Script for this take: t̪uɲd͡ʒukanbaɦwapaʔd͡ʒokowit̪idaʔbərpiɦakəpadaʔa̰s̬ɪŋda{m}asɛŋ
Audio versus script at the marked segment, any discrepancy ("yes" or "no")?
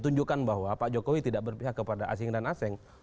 yes